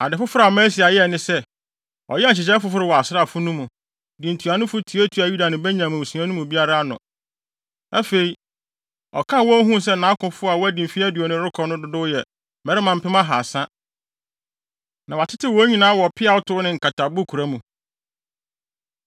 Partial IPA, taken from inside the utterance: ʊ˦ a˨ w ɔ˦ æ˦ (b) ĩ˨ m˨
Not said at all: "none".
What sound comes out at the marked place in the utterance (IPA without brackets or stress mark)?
d